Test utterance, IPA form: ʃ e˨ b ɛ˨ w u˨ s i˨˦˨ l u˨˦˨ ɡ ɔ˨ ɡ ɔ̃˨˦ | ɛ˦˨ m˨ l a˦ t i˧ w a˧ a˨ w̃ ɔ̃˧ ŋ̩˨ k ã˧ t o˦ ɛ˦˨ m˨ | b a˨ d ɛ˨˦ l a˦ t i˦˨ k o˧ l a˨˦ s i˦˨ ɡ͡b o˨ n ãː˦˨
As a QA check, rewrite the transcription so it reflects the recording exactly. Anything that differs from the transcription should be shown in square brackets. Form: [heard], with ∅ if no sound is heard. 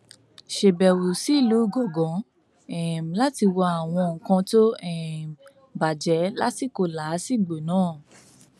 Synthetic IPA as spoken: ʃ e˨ b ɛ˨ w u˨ s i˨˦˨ l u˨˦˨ ɡ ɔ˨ ɡ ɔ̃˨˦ | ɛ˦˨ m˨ l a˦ t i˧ w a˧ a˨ w̃ ɔ̃˧ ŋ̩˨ k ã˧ t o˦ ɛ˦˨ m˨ | b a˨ [d͡ʒ] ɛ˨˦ l a˦ t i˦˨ k o˧ l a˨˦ s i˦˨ ɡ͡b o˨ n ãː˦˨